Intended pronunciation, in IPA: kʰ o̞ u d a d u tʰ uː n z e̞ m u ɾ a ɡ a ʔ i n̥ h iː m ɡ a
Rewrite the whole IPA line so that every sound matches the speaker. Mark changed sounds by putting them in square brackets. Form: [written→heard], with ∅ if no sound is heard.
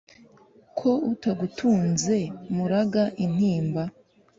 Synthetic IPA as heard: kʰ o̞ u [d→t] a [d→ɡ] u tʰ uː n z e̞ m u ɾ a ɡ a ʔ i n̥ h iː m [ɡ→b] a

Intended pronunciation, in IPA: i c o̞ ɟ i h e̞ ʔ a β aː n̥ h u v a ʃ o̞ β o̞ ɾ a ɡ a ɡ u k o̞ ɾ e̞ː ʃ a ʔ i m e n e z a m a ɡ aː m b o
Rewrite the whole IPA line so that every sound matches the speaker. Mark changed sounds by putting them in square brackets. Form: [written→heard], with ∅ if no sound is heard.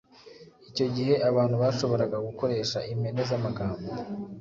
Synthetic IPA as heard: i c o̞ ɟ i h e̞ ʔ a β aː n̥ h u [v→β] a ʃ o̞ β o̞ ɾ a ɡ a ɡ u k o̞ ɾ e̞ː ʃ a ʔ i m e n e z a m a ɡ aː m b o

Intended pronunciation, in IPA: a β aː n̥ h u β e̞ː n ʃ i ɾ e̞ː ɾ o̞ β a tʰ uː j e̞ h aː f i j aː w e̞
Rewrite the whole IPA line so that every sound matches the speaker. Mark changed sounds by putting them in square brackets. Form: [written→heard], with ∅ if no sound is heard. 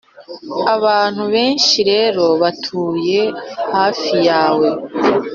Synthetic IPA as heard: a β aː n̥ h u β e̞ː n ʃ i ɾ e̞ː ɾ o̞ β a tʰ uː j e̞ h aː f i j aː w e̞

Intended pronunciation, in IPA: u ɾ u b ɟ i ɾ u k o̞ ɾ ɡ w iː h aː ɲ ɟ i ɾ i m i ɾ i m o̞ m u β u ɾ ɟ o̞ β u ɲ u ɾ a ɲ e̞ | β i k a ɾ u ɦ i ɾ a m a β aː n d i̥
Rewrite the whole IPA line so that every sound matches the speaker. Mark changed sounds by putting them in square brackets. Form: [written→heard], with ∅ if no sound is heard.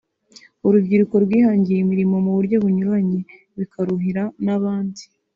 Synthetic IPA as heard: u ɾ u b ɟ i ɾ u k o̞ ɾ ɡ w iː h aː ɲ ɟ i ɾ i m i ɾ i m o̞ m u β u ɾ ɟ o̞ β u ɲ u ɾ a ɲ e̞ | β i k a ɾ u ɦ i ɾ a [m→n] a β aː n d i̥

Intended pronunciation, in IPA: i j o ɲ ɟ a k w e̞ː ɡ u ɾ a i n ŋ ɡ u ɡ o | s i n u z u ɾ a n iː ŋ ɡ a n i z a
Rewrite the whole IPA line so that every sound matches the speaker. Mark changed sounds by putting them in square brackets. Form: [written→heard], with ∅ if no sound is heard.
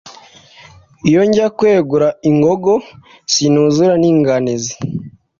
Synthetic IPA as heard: i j o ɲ ɟ a k w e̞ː ɡ u ɾ a i [n→∅] ŋ ɡ [u→o] ɡ o | s i n u z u ɾ a n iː ŋ ɡ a n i z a

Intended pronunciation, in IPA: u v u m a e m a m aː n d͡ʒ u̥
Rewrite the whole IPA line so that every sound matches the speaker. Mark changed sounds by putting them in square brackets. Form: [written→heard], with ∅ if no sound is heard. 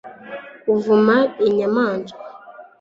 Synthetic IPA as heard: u v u m a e [m→ɲ] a m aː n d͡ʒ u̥

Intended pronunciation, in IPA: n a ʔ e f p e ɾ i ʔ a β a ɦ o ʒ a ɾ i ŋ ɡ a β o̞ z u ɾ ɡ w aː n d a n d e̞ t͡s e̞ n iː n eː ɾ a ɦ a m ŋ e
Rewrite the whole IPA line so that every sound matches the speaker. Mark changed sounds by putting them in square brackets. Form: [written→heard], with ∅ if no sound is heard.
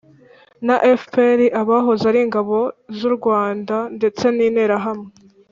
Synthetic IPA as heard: n a ʔ e f p e ɾ i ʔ a β a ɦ o [ʒ→z] a ɾ i ŋ ɡ a β o̞ z u ɾ ɡ w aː n d a n d e̞ t͡s e̞ n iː n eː ɾ a ɦ a m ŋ e

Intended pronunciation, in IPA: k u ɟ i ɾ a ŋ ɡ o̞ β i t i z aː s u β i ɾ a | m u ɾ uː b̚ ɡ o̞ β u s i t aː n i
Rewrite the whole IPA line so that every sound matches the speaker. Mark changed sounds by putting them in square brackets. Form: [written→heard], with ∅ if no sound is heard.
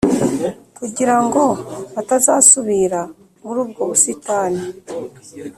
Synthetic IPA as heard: k u ɟ i ɾ a ŋ ɡ o̞ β [i→a] t [i→a] z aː s u β i ɾ a | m u ɾ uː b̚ ɡ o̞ β u s i t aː n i

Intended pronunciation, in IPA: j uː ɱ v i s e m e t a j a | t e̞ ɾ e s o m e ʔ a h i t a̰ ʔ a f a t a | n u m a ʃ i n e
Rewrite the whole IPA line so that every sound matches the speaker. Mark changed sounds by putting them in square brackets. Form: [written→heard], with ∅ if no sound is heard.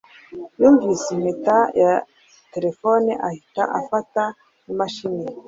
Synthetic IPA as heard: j uː ɱ v i s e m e t a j a | t e̞ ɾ e [s→f] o [m→n] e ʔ a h i t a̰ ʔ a f a t a | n u m a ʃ i n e

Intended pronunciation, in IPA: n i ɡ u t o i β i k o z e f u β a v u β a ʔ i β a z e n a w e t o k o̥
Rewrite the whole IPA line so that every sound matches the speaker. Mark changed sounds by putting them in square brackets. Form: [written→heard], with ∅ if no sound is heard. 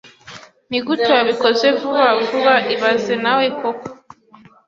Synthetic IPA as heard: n i ɡ u t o [i→a] β i k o z e [f→v] u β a v u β a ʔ i β a z e n a w e [t→k] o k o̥

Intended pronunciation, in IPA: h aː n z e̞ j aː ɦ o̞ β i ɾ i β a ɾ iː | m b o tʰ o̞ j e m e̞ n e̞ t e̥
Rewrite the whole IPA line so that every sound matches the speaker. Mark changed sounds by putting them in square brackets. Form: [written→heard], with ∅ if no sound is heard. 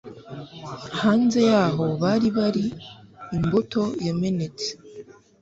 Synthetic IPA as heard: h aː n z e̞ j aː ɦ o̞ β [i→a] ɾ i β a ɾ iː | m b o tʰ o̞ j e m e̞ n e̞ [t→t͡s] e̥

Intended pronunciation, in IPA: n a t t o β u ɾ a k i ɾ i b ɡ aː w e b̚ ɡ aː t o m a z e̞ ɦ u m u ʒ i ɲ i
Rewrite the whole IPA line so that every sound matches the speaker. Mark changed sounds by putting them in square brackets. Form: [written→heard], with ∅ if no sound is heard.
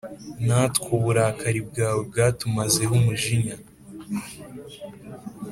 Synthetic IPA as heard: n a t [t→k] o β u ɾ a k [i→a] ɾ i b ɡ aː w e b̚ ɡ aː t [o→u] m a z e̞ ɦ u m u ʒ i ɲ [i→a]

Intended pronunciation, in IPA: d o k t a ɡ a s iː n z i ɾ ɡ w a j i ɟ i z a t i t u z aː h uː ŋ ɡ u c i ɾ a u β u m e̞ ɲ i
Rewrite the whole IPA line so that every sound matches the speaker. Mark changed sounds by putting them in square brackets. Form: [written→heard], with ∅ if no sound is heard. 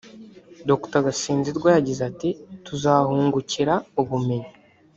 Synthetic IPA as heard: d o k t a ɡ a s iː n z i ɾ ɡ w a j [i→a] ɟ i z a t i t u z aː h uː ŋ ɡ u c i ɾ a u β u m e̞ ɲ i

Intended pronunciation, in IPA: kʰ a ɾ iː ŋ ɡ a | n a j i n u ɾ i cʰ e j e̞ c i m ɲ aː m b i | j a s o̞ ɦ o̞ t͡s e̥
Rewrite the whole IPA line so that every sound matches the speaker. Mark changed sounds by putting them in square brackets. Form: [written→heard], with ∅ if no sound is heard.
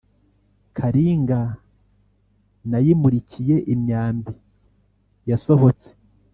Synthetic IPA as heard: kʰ a ɾ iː ŋ ɡ a | n a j i [n→m] u ɾ i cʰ [e→i] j e̞ [c→ʔ] i m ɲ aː m b i | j a s o̞ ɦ o̞ t͡s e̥

